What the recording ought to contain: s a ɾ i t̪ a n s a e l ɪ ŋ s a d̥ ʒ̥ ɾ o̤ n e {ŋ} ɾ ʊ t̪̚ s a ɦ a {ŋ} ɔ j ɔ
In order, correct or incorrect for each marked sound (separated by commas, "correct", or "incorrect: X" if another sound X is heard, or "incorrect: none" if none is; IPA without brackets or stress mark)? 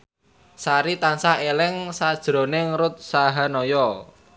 correct, incorrect: n